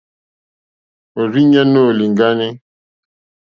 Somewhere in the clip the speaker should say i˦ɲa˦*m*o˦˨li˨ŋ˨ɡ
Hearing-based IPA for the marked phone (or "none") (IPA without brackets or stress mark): n